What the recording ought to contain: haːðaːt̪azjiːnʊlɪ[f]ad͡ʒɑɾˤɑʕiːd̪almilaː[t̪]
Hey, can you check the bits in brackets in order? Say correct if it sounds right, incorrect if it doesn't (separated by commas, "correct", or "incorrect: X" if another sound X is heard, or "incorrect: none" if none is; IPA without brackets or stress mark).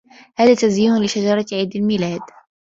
incorrect: ʃ, incorrect: d̪